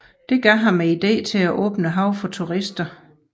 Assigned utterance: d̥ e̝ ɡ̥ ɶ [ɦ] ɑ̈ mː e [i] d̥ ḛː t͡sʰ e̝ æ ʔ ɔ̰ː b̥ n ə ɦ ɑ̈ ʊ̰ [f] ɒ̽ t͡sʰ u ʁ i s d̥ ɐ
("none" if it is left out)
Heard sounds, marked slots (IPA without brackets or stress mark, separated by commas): ɦ, i, f